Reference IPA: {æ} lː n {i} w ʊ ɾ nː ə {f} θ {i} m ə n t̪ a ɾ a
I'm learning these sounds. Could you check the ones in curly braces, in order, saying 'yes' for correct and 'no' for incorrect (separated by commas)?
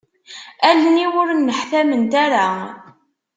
yes, yes, no, no